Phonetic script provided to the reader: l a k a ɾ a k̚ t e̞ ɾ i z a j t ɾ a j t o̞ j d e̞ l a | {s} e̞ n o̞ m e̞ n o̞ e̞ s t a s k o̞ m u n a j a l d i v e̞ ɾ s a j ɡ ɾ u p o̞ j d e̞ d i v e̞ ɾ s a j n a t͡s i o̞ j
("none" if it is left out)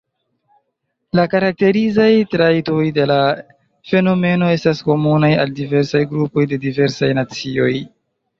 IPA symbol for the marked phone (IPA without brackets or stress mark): f